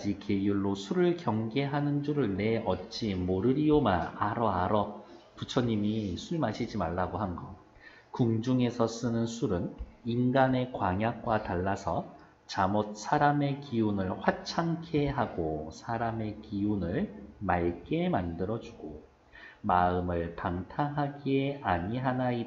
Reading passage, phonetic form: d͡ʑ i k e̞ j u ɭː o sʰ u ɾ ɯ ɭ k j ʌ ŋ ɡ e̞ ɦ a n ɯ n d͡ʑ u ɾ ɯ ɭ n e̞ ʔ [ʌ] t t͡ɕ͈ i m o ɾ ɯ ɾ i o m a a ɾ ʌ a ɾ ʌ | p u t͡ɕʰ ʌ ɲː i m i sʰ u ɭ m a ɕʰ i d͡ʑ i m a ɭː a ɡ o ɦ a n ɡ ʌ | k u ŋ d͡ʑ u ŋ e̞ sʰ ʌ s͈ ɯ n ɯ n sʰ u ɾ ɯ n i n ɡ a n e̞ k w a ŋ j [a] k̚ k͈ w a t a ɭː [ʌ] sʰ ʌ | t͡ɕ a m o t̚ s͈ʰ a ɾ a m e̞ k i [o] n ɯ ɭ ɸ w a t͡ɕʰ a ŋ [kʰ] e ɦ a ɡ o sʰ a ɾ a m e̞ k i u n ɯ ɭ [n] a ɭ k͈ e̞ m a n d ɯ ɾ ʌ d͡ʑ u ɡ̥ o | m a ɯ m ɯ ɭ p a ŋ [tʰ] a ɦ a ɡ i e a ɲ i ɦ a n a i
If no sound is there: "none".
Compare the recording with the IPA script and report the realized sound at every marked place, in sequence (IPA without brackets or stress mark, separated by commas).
ʌ, a, a, u, kʰ, m, tʰ